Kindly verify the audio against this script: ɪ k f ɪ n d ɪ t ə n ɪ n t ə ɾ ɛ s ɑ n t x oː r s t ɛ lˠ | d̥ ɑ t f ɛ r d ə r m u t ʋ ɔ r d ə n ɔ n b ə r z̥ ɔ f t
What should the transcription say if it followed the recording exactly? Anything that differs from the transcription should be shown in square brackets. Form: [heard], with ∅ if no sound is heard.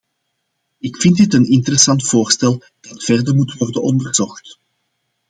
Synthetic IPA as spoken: ɪ k f ɪ n d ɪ t ə n ɪ n t ə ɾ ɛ s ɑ n t [f] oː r s t ɛ lˠ | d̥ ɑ t f ɛ r d ə r m u t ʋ ɔ r d ə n ɔ n [d] ə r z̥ ɔ [x] t